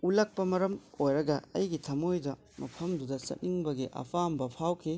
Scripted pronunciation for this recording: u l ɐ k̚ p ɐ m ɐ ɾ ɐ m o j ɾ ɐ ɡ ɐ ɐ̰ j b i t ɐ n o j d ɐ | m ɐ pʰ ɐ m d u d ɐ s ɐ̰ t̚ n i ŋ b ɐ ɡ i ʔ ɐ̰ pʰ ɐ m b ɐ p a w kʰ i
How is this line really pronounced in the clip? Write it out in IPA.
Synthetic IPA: u l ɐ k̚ p ɐ m ɐ ɾ ɐ m o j ɾ ɐ ɡ ɐ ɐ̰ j ɡ i tʰ ɐ m o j d ɐ | m ɐ pʰ ɐ m d u d ɐ s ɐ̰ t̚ n i ŋ b ɐ ɡ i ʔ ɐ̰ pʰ a m b ɐ pʰ a w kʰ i